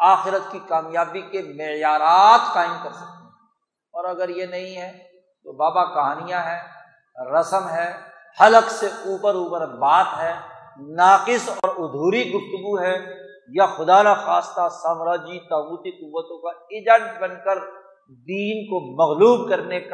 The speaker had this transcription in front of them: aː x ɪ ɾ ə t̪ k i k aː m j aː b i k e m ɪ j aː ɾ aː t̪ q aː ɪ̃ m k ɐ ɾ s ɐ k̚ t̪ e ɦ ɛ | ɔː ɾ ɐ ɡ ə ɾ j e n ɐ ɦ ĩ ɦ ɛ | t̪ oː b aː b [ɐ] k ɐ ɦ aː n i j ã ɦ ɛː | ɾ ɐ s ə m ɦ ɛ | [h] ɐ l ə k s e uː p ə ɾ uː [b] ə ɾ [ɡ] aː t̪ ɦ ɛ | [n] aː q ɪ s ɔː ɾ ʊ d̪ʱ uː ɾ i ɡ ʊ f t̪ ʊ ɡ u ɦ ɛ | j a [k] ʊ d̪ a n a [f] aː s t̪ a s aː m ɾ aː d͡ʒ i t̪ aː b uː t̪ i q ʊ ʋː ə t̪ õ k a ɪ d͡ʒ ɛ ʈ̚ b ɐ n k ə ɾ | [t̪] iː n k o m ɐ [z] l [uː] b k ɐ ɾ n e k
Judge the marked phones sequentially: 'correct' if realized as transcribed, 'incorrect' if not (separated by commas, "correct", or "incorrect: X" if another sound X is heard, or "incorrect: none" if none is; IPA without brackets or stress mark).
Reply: incorrect: a, correct, incorrect: p, incorrect: b, correct, incorrect: x, incorrect: x, incorrect: d̪, incorrect: ɣ, correct